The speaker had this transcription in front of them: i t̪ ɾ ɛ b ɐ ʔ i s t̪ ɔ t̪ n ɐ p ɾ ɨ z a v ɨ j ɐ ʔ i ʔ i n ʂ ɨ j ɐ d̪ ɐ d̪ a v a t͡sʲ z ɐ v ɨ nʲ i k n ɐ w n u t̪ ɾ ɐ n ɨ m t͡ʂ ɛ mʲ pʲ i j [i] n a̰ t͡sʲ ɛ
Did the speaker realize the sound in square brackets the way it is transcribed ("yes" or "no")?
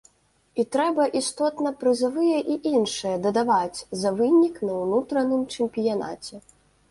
no